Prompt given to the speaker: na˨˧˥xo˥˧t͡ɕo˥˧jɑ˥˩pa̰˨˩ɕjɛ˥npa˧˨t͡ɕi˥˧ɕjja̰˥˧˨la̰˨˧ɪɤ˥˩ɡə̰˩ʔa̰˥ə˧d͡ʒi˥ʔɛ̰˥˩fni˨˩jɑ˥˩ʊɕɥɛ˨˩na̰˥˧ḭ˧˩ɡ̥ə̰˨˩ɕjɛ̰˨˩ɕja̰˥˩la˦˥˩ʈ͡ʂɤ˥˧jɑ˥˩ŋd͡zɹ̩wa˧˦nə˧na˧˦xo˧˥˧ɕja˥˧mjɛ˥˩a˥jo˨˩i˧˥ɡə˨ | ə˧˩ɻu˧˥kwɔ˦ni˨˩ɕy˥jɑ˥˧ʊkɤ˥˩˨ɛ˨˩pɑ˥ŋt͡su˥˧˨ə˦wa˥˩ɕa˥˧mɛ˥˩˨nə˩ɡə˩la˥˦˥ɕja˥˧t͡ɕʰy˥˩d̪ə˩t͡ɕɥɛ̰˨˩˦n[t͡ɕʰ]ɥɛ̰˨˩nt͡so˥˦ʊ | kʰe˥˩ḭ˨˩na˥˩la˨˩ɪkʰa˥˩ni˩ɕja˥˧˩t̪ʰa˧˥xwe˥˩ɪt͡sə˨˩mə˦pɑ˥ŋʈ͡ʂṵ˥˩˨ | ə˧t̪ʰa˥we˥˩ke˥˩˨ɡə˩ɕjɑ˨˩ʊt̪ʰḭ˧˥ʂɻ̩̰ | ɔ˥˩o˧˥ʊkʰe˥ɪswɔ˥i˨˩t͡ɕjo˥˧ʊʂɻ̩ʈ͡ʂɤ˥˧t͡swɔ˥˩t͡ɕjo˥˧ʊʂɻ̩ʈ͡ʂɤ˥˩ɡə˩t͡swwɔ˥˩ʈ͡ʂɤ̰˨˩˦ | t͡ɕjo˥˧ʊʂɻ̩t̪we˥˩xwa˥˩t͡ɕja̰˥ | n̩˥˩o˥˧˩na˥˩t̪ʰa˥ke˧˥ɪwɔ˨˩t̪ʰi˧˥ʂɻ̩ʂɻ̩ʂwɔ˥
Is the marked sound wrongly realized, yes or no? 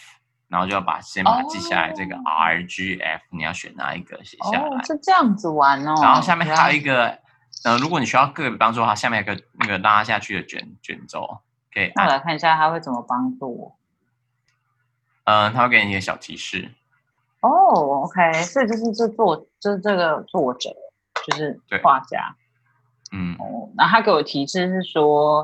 yes